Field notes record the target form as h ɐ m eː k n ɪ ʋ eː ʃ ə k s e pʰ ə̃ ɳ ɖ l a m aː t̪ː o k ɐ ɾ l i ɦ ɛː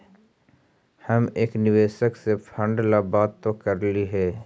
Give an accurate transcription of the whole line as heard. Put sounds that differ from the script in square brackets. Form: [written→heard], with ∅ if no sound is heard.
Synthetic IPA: h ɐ m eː k n ɪ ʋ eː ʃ ə k s e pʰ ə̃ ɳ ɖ l a [m→b] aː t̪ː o k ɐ ɾ l i ɦ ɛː